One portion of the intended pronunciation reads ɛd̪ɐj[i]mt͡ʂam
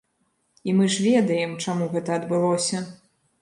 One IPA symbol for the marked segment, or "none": ɛ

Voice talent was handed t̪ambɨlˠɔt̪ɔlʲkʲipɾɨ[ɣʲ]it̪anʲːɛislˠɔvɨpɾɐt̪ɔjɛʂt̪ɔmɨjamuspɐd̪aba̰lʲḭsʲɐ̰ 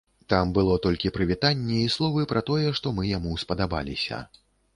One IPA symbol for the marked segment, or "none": vʲ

